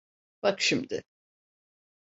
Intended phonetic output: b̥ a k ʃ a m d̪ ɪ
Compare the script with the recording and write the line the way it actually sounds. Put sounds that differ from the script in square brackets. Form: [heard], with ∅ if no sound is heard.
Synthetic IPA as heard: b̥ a k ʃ [i] m d̪ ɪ